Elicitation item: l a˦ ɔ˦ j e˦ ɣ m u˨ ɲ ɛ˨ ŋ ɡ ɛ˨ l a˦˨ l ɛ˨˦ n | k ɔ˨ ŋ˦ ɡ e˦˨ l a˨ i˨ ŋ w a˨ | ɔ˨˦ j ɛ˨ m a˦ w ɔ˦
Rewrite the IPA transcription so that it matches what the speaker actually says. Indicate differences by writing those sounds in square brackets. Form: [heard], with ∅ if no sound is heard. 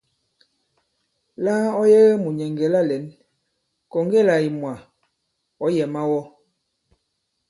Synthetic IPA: l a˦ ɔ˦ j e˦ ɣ m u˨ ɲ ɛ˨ ŋ ɡ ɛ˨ l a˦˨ l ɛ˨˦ n | k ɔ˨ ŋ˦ ɡ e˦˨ l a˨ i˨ [m] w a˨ | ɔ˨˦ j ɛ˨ m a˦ w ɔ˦